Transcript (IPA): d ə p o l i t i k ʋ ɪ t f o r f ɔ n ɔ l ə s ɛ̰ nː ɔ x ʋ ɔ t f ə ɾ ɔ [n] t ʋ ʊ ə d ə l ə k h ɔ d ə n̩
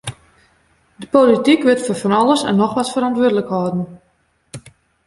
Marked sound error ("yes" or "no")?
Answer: no